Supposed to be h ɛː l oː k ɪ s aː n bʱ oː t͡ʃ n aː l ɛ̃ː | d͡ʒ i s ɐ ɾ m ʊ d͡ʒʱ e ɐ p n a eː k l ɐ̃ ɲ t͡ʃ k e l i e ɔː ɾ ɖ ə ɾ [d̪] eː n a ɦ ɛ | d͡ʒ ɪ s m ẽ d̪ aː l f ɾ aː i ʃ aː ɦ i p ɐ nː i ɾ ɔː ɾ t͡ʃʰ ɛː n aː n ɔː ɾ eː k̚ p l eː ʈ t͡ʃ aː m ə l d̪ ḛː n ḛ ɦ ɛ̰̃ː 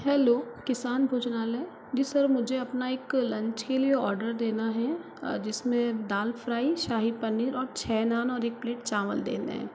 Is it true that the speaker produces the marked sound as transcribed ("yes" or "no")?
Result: yes